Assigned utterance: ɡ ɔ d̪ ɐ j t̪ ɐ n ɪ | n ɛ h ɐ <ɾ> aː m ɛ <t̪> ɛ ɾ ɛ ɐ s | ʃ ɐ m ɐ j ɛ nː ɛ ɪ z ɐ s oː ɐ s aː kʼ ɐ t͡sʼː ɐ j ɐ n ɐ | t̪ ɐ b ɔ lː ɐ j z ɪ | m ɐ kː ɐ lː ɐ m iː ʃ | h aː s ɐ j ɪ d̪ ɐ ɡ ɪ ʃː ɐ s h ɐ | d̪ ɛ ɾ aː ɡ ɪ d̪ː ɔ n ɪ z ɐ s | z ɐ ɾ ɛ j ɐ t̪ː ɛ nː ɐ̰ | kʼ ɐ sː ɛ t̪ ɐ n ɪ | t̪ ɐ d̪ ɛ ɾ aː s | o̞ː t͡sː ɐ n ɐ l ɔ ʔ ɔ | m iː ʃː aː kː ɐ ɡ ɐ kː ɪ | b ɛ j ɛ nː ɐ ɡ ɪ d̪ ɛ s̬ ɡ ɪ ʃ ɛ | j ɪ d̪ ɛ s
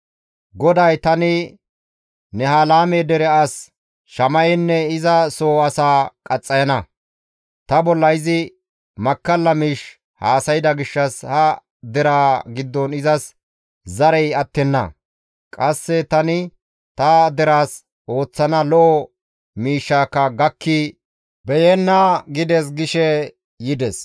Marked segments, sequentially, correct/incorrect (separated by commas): incorrect, incorrect